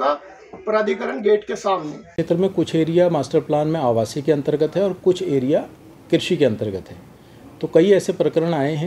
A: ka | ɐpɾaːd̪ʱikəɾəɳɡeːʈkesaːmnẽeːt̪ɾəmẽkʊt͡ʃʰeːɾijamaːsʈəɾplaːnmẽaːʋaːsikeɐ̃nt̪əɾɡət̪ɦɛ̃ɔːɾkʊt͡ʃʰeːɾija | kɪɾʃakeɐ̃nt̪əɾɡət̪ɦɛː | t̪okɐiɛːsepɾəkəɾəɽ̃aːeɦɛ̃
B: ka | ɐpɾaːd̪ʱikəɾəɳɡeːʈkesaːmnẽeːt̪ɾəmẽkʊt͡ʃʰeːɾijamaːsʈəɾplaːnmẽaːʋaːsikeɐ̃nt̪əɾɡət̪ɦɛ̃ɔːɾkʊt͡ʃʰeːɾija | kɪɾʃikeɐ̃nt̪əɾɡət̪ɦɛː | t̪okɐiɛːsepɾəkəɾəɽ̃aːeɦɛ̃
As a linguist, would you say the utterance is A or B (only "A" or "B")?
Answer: B